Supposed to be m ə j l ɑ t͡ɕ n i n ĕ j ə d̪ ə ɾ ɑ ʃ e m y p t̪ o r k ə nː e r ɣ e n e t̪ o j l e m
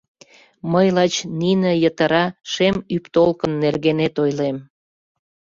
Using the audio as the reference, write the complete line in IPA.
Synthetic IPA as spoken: m ə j l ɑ t͡ɕ n i n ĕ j ə t̪ ə ɾ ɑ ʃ e m y p t̪ o l k ə nː e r ɣ e n e t̪ o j l e m